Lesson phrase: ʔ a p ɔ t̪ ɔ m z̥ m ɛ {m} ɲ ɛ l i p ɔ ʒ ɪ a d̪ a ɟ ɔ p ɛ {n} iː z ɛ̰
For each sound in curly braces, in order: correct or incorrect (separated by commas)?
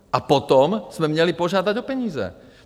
correct, incorrect